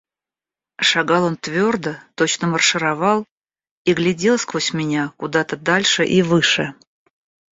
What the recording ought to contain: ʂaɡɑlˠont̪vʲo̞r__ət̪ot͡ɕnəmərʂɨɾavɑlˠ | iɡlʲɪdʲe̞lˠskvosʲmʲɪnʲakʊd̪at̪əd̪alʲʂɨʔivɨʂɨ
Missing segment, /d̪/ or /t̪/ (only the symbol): d̪